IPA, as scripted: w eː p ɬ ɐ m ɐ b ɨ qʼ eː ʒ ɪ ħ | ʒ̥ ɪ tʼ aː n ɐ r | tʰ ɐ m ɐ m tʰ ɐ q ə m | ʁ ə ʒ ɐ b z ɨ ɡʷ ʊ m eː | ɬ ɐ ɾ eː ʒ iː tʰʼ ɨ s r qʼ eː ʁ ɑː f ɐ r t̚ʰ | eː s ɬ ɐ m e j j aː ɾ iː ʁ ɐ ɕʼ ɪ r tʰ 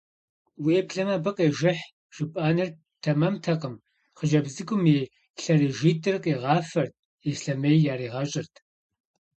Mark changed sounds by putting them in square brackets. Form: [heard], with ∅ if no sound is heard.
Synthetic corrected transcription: w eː p ɬ ɐ m ɐ b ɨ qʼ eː ʒ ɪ ħ | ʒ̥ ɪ [pʼ] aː n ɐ r | tʰ ɐ m ɐ m tʰ ɐ q ə m | [χ] ə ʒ ɐ b z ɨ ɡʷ ʊ m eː | ɬ ɐ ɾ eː ʒ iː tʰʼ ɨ [∅] r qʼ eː ʁ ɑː f ɐ r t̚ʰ | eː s ɬ ɐ m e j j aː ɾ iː ʁ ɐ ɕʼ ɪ r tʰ